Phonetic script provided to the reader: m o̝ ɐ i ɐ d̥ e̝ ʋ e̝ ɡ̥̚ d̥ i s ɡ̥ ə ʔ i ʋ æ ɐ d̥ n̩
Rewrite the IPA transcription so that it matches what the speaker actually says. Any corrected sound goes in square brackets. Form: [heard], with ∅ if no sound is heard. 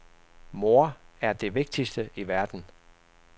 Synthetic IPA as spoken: m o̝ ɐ [æ] ɐ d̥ e̝ ʋ e̝ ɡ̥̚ d̥ i s [d̥] ə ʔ i ʋ æ ɐ d̥ n̩